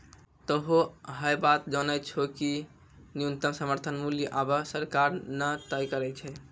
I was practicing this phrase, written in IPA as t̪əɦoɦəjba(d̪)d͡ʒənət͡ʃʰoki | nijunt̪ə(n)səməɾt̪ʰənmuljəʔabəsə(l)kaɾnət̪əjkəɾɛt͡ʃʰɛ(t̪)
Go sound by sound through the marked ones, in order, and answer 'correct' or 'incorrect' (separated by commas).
incorrect, incorrect, incorrect, incorrect